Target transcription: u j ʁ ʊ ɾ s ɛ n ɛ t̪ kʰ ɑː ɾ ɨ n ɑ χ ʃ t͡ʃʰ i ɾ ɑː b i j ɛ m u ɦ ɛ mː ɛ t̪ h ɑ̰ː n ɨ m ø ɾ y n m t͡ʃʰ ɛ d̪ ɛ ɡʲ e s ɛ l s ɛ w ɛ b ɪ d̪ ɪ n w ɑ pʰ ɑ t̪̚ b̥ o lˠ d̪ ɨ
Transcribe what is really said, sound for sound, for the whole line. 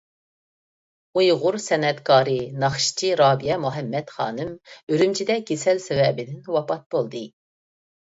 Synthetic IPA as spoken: u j ʁ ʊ ɾ s ɛ n ɛ t̪ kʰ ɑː ɾ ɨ n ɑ χ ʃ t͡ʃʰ i ɾ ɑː b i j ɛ m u ɦ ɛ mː ɛ t̪ χ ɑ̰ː n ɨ m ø ɾ y m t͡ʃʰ i d̪ ɛ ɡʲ e s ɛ l s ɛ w ɛ b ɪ d̪ ɪ n w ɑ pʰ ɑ t̪̚ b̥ o lˠ d̪ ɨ

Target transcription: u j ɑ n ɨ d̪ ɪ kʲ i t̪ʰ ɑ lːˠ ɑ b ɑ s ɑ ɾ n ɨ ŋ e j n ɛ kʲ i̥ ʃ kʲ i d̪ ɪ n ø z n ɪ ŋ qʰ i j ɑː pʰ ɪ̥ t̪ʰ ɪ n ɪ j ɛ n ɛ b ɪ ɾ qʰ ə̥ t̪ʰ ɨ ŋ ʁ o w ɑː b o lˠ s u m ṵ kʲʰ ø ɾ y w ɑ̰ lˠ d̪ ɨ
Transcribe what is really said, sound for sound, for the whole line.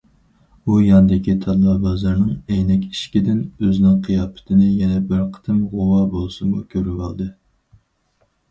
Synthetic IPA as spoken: u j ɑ n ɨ d̪ ɪ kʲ i t̪ʰ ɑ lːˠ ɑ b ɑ z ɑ ɾ n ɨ ŋ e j n ɛ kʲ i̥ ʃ kʲ i d̪ ɪ n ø z n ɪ ŋ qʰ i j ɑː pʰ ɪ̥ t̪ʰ ɪ n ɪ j ɛ n ɛ b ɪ ɾ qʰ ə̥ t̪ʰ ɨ m ʁ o w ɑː b o lˠ s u m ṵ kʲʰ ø ɾ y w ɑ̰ lˠ d̪ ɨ

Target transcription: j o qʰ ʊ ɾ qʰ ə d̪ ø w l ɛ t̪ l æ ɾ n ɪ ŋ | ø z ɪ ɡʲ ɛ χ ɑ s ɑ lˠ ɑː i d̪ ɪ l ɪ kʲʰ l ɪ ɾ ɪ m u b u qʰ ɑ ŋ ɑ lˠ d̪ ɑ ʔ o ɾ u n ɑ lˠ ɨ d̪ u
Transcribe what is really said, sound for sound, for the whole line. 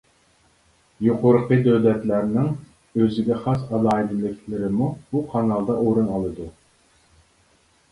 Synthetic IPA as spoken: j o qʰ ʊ ɾ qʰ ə d̪ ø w l ɛ t̪ l æ ɾ n ɪ ŋ | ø z ɪ ɡʲ ɛ χ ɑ s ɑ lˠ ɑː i d̪ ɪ l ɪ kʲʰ l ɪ ɾ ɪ m u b u qʰ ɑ n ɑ lˠ d̪ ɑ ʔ o ɾ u n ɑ lˠ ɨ d̪ u

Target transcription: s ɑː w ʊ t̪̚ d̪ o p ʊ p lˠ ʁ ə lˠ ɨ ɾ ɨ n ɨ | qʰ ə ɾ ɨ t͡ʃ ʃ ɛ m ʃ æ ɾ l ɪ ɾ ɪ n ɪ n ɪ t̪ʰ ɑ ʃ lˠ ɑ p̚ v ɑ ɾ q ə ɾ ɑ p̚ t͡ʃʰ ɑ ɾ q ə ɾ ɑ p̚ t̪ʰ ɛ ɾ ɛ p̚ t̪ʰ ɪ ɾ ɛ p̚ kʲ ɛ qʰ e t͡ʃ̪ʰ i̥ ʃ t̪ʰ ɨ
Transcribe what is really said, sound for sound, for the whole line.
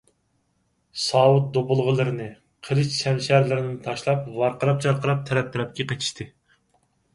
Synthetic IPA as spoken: s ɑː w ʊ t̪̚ d̪ o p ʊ lˠ ʁ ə lˠ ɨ ɾ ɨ n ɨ | qʰ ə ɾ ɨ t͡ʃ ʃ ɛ m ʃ æ ɾ l ɪ ɾ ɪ n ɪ n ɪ t̪ʰ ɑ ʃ lˠ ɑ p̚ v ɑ ɾ q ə ɾ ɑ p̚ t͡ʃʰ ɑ ɾ q ə ɾ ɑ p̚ t̪ʰ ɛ ɾ ɛ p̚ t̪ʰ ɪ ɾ ɛ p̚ kʲ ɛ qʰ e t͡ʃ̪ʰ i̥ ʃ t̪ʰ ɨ

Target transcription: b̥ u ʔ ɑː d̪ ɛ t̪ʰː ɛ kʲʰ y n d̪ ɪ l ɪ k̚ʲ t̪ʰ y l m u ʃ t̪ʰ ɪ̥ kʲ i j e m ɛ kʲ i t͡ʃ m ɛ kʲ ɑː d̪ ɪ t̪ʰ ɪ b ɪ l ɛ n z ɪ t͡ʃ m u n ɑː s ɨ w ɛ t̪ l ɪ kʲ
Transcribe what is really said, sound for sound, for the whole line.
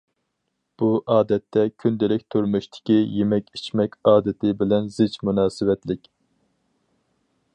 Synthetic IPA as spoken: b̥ u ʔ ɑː d̪ ɛ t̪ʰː ɛ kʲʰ y n d̪ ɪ l ɪ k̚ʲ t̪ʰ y ɾ m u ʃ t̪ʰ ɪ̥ kʲ i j e m ɛ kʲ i t͡ʃ m ɛ kʲ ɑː d̪ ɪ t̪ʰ ɪ b ɪ l ɛ n z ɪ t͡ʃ m u n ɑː s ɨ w ɛ t̪ l ɪ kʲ

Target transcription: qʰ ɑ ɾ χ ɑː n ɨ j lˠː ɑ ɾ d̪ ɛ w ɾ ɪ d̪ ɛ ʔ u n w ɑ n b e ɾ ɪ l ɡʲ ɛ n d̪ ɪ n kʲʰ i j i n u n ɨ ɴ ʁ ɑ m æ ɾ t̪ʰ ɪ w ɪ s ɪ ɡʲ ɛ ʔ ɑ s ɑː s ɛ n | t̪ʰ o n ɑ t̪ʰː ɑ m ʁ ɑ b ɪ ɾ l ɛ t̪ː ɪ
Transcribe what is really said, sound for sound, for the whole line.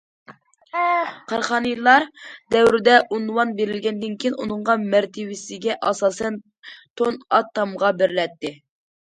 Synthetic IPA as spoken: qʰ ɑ ɾ χ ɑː n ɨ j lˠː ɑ ɾ d̪ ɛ w ɾ ɪ d̪ ɛ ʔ u n w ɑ n b e ɾ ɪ l ɡʲ ɛ n d̪ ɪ n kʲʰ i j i n u n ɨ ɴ ʁ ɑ m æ ɾ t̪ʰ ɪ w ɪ s ɪ ɡʲ ɛ ʔ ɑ s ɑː s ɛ n | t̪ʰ o n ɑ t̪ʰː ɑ m ʁ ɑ b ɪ ɾ l ɛ t̪ː ɪ

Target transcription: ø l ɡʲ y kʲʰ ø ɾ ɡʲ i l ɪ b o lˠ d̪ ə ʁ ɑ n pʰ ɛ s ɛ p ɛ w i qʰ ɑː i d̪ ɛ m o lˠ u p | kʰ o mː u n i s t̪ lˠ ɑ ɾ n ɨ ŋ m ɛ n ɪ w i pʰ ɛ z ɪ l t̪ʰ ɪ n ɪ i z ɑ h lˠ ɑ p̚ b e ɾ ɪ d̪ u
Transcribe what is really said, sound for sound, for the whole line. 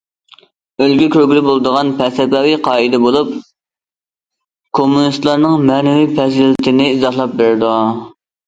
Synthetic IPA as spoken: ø l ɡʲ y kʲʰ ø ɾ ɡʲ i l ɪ b o lˠ d̪ ə ʁ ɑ n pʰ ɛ s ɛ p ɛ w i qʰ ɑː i d̪ ɛ b o lˠ u p | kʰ o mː u n i s t̪ lˠ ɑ ɾ n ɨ ŋ m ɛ n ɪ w i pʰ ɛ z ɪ l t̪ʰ ɪ n ɪ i z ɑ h lˠ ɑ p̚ b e ɾ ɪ d̪ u

